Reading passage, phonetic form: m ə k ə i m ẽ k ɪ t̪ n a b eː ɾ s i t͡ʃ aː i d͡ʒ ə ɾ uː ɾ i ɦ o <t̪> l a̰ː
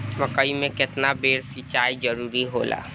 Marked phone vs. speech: incorrect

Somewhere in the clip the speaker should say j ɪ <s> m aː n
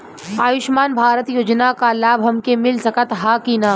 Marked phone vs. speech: incorrect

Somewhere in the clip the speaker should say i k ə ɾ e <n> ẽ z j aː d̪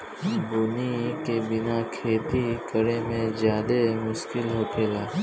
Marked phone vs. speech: incorrect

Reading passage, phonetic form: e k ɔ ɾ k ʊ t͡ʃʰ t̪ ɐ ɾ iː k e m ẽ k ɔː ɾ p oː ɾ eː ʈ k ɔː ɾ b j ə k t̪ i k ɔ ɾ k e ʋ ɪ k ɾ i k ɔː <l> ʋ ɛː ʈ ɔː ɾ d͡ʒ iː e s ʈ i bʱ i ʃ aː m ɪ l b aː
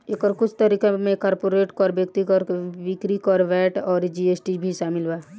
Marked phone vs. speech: incorrect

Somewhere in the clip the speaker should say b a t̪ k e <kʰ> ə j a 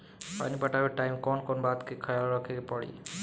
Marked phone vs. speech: correct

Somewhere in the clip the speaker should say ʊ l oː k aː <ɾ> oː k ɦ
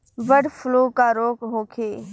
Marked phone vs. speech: correct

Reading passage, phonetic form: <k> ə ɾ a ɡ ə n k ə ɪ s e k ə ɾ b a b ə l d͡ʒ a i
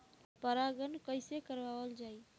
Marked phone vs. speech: incorrect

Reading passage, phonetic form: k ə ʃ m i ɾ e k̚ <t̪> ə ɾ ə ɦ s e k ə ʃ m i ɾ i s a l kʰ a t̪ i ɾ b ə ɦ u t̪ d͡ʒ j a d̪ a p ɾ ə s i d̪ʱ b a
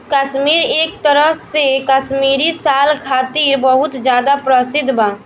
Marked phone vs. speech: correct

